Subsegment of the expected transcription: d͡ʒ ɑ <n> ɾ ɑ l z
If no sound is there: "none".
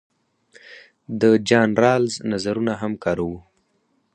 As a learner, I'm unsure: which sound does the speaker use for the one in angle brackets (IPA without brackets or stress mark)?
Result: n